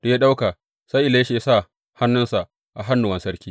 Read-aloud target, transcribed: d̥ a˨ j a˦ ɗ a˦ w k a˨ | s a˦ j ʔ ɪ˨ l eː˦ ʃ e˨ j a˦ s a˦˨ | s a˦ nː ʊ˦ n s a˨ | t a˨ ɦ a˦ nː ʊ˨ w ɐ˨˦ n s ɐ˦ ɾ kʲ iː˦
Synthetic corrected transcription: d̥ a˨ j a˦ ɗ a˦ w k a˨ | s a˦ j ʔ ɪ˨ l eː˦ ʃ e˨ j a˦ s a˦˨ | h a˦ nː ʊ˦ n s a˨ | ʔ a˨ ɦ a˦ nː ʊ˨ w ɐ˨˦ n s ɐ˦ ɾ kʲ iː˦